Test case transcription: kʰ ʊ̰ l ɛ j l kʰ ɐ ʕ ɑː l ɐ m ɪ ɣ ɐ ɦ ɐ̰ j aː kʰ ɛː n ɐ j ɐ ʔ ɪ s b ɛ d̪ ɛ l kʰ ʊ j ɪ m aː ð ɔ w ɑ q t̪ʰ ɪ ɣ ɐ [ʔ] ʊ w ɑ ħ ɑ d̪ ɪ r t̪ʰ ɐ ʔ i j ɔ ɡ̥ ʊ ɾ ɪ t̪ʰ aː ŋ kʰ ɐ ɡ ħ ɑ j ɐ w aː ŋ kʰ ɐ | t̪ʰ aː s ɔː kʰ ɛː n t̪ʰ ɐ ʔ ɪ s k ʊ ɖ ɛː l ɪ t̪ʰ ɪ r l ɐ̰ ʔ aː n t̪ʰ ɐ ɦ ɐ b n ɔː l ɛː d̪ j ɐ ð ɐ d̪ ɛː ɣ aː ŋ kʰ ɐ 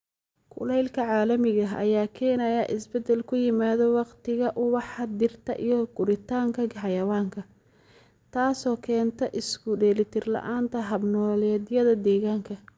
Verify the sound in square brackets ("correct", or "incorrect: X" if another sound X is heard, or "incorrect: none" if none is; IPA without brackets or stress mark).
correct